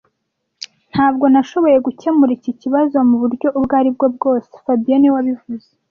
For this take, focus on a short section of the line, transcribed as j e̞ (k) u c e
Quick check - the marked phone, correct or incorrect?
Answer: incorrect